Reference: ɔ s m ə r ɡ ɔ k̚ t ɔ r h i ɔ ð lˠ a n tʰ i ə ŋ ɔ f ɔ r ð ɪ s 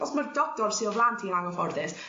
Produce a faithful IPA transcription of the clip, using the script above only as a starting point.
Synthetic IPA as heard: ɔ s m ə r d ɔ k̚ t ɔ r s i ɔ v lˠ a n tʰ i a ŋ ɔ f ɔ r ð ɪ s